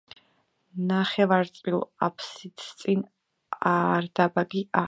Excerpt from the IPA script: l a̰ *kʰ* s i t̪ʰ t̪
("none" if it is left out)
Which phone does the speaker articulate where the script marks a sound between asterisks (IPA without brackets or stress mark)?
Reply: pʰ